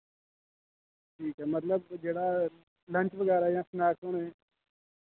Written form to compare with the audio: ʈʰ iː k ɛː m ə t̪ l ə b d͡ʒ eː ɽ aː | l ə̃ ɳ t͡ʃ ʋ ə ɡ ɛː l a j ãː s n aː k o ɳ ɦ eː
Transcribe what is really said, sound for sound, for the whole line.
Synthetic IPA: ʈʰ iː k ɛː m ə t̪ l ə b d͡ʒ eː ɽ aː | l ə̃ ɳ t͡ʃ ʋ ə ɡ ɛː ɾ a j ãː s n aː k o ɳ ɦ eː

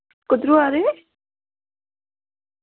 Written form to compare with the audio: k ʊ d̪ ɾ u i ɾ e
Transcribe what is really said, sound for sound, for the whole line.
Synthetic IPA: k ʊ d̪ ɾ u a ɾ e

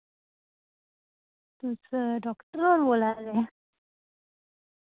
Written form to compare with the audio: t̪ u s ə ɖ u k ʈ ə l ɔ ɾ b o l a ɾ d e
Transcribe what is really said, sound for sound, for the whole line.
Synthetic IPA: t̪ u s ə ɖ ɔ k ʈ ə ɾ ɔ ɾ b o l a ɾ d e

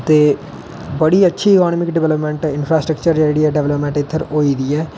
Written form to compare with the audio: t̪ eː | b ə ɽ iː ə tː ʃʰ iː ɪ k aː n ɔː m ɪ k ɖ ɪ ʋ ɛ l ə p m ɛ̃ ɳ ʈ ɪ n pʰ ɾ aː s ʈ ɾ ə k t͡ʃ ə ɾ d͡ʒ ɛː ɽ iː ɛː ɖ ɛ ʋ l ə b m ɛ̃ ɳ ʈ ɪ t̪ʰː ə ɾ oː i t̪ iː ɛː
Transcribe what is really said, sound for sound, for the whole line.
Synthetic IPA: t̪ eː | b ə ɽ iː ə tː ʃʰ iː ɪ k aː n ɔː m ɪ k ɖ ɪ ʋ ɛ l ə p m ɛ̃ ɳ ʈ ɪ n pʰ ɾ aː s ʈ ɾ ə k t͡ʃ ə ɾ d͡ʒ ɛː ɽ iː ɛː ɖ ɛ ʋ l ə p m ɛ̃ ɳ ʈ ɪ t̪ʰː ə ɾ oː i d̪ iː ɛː

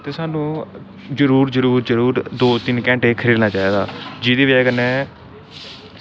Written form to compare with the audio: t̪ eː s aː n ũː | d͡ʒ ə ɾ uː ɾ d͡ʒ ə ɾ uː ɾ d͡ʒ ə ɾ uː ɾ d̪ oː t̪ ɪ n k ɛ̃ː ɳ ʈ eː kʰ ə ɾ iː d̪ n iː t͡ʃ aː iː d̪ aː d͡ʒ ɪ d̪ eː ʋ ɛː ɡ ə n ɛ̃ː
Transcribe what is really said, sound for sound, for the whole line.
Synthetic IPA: t̪ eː s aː n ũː | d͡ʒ ə ɾ uː ɾ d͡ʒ ə ɾ uː ɾ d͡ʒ ə ɾ uː ɾ d̪ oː t̪ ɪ n k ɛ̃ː ɳ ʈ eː kʰ ə ɾ iː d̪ n aː t͡ʃ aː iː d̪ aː d͡ʒ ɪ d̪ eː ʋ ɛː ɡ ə n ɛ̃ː

